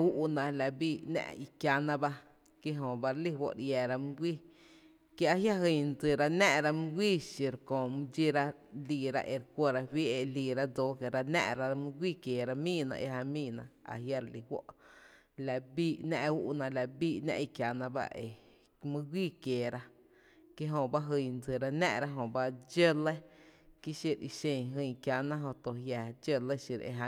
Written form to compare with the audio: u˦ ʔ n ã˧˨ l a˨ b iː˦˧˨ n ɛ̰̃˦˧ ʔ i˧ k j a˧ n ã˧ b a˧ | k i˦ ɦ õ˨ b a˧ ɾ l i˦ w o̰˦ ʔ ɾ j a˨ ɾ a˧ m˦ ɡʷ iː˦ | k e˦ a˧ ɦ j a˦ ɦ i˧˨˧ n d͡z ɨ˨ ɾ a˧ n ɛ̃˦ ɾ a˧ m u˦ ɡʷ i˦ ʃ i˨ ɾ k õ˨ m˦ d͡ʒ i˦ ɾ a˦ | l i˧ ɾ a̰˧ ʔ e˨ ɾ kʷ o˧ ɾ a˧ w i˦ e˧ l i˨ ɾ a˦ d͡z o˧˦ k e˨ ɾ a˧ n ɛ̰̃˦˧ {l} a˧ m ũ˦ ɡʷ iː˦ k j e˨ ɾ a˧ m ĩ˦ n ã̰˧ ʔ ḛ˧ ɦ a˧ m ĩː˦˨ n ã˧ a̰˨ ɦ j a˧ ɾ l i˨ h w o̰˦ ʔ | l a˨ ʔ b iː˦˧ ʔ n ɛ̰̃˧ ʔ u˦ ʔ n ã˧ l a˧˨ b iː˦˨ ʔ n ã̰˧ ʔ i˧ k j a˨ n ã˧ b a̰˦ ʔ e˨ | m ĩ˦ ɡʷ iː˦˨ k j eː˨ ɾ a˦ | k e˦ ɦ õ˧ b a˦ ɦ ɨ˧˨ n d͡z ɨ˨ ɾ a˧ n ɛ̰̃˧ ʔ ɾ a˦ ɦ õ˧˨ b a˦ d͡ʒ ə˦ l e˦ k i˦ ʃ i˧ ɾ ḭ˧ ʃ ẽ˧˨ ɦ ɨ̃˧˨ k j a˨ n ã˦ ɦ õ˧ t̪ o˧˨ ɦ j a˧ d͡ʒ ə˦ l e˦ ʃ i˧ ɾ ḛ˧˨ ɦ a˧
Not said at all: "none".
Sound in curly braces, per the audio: ɾ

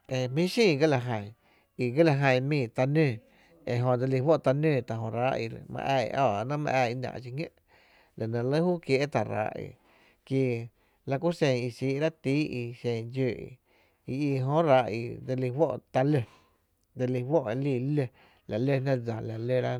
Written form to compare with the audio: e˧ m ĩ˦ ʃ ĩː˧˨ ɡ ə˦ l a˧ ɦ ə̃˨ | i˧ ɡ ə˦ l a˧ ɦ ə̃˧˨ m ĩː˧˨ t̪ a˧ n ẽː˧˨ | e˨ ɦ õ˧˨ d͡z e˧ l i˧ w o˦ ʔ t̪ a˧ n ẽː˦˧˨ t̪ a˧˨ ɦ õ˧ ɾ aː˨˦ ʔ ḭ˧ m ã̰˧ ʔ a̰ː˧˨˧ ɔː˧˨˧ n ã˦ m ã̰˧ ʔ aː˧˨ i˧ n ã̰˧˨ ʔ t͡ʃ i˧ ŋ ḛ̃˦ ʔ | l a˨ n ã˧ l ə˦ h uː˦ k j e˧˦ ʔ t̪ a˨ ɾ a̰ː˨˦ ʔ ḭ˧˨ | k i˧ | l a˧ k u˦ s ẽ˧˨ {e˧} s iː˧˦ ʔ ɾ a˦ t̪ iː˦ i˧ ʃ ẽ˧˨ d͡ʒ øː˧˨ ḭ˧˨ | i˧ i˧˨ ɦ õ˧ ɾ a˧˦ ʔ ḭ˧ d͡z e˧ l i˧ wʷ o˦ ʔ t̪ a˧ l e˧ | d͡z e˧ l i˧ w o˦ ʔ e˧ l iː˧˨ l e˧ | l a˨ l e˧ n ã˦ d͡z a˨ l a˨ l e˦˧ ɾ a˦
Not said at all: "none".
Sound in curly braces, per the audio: i˧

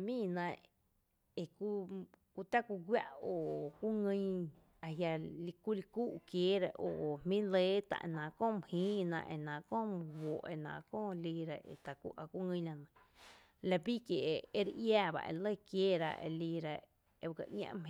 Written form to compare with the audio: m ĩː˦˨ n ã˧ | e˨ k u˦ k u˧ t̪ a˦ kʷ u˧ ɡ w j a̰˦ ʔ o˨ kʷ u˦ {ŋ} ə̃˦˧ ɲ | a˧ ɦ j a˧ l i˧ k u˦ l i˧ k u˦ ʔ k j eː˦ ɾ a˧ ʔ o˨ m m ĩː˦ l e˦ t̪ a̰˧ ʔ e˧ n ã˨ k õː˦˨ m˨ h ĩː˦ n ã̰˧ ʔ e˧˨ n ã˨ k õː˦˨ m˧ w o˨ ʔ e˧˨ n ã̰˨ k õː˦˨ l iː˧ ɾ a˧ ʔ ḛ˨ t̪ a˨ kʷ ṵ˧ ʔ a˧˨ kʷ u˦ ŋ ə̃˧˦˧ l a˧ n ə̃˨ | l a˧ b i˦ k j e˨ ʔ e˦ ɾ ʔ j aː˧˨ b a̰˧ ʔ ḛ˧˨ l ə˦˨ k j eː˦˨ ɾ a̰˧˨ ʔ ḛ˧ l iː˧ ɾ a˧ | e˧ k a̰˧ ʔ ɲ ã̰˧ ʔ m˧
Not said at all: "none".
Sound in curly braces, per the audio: ŋ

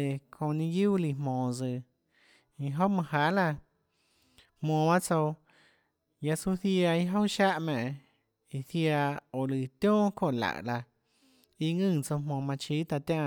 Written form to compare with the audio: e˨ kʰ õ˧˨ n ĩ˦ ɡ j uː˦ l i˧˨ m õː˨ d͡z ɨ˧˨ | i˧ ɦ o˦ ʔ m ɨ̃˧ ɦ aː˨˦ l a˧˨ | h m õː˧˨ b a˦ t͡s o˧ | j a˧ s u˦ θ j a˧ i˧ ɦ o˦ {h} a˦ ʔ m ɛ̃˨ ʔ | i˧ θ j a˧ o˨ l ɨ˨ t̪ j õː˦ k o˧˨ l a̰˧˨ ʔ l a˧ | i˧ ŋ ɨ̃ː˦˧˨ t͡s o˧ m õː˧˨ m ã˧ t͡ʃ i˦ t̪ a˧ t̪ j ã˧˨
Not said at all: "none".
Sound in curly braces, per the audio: ʃ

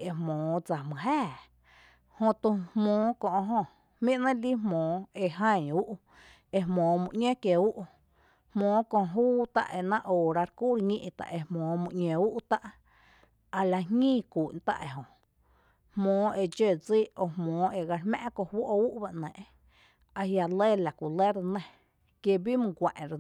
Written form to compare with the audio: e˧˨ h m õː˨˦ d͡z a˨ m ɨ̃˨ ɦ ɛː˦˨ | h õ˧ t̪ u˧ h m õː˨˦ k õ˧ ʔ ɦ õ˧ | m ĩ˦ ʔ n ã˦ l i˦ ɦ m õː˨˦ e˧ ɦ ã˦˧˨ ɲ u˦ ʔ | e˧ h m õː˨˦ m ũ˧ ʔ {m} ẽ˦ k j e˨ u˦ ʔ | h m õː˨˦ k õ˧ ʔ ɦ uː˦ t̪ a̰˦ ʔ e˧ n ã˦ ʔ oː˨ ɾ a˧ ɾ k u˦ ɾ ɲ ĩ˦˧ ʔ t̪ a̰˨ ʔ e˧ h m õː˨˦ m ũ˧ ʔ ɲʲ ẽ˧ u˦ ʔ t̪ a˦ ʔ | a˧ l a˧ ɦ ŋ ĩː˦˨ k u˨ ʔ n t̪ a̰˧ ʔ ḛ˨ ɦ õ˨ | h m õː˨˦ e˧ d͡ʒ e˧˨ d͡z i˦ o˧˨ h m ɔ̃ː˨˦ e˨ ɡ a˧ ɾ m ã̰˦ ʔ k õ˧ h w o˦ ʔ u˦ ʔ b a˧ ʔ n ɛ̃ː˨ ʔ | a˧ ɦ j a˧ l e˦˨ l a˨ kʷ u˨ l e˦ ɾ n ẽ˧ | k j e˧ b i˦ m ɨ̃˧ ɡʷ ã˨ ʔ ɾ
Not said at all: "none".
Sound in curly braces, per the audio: ɲ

